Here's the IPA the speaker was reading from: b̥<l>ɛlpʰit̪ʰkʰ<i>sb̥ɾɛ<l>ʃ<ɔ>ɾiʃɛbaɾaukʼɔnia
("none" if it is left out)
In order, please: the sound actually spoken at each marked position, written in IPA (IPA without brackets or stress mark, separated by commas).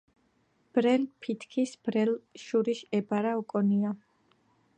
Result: ɾ, i, l, u